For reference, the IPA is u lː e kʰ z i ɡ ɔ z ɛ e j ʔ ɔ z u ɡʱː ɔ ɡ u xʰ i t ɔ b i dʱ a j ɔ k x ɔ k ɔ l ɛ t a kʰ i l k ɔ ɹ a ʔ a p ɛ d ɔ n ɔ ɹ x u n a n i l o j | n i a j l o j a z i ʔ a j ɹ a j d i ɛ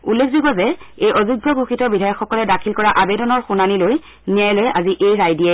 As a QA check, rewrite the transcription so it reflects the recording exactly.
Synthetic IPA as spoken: u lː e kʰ z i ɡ ɔ z ɛ e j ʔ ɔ z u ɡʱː ɔ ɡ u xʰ i t ɔ b i dʱ a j ɔ k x ɔ k ɔ l ɛ d a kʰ i l k ɔ ɹ a ʔ a b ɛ d ɔ n ɔ ɹ x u n a n i l o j | n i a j l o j a z i ʔ e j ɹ a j d i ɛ